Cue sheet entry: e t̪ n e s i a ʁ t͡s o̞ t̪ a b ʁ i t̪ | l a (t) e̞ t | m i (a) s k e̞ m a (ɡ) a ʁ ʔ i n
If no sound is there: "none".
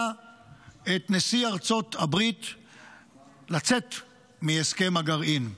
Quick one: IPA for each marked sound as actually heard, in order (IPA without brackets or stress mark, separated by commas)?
t͡s, e, ɡ